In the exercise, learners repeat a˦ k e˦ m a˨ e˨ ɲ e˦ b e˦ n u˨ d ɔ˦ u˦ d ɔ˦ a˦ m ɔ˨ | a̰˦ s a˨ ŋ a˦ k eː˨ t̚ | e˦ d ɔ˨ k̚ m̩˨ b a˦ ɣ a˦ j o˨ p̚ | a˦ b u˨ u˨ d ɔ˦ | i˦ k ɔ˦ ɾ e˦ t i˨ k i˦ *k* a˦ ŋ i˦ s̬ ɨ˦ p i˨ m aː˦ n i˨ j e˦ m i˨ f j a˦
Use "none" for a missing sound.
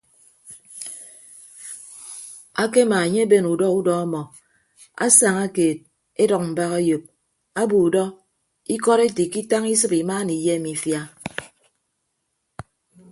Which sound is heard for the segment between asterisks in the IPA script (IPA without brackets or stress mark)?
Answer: t